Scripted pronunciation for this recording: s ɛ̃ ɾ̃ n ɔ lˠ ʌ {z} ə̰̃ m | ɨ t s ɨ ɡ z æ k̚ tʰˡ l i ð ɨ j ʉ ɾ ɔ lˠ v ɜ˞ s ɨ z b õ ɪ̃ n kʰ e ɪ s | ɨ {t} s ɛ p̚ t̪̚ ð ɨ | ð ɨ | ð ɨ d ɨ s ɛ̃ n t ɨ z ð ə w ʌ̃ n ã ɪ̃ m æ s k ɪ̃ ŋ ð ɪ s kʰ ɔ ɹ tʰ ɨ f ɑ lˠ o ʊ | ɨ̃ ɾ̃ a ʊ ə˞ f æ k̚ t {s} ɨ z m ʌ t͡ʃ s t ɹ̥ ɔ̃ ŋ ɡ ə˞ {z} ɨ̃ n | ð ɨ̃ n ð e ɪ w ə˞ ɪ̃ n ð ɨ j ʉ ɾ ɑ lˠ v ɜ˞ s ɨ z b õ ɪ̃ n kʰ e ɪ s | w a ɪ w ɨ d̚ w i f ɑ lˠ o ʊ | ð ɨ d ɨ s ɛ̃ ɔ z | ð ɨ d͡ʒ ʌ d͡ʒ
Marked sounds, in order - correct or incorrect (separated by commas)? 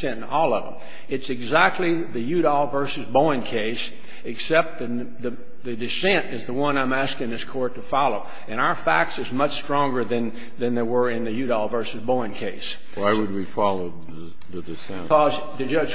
incorrect, incorrect, correct, incorrect